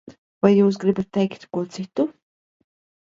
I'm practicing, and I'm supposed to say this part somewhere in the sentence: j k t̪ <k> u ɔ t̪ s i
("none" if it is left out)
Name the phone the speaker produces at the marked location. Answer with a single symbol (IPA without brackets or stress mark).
k